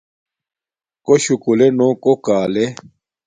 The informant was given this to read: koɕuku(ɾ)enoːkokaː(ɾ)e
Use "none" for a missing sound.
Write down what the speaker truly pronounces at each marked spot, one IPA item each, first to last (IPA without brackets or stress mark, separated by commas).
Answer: l, l